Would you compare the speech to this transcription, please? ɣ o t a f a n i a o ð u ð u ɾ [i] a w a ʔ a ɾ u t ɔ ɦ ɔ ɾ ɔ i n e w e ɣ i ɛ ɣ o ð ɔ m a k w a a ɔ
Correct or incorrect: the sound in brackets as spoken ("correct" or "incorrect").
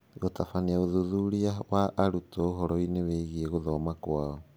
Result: correct